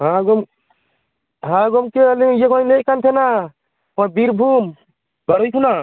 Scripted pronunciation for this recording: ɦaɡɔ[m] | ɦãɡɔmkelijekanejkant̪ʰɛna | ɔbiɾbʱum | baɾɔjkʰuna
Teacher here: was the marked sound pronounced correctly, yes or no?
yes